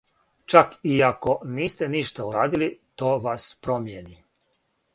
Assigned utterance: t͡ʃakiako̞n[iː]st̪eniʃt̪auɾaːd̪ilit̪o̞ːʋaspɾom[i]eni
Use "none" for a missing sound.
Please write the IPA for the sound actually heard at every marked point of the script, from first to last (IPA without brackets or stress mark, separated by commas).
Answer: iː, j